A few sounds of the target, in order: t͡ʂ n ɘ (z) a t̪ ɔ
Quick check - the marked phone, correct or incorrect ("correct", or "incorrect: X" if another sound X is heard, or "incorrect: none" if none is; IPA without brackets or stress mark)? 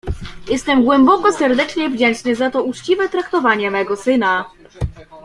correct